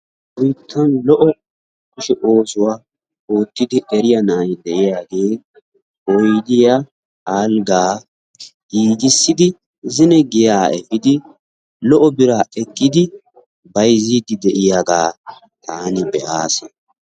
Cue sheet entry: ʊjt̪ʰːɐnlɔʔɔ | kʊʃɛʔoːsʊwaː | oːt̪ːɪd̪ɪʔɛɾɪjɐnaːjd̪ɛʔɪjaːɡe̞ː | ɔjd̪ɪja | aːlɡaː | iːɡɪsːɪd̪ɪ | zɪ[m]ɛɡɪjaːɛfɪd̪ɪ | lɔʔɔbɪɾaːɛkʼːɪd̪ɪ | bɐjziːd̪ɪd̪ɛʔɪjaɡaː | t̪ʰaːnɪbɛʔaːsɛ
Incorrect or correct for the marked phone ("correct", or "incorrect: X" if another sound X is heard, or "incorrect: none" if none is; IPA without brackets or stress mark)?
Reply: incorrect: n